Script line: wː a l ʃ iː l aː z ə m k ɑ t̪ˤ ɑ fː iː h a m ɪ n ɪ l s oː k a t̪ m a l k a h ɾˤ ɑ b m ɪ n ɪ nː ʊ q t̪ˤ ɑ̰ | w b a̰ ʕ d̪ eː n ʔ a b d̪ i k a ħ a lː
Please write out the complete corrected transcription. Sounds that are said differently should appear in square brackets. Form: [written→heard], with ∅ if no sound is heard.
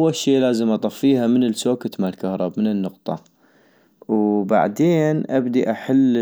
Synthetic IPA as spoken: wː a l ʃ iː l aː z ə m [k→ʔ] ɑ t̪ˤ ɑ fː iː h a m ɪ n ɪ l s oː k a t̪ m a l k a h ɾˤ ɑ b m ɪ n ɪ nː ʊ q t̪ˤ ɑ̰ | w b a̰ ʕ d̪ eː n ʔ a b d̪ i [k→ʔ] a ħ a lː